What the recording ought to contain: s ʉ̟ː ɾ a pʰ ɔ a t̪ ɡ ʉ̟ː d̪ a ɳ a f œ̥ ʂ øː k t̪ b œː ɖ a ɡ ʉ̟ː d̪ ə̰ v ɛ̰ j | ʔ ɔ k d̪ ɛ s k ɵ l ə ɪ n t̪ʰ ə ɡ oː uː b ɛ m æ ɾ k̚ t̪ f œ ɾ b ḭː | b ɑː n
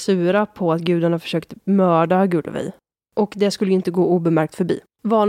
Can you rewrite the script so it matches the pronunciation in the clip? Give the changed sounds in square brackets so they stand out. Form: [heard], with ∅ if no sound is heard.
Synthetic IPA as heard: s ʉ̟ː ɾ a pʰ ɔ a t̪ ɡ ʉ̟ː d̪ a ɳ a f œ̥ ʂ øː k t̪ [m] œː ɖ a ɡ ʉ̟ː d̪ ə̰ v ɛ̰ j | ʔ ɔ k d̪ ɛ s k ɵ [lː] ə ɪ n [t̪] ə ɡ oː uː b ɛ m æ ɾ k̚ t̪ f œ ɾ b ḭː | [v] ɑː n